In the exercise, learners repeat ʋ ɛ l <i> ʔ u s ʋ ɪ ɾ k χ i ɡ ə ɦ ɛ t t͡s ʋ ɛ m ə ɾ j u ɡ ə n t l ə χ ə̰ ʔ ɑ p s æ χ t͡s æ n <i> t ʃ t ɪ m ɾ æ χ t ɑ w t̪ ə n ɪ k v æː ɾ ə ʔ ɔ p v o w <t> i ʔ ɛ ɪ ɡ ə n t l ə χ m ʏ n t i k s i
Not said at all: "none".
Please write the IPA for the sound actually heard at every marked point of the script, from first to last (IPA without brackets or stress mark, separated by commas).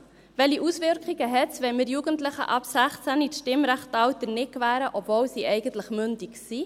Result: i, i, s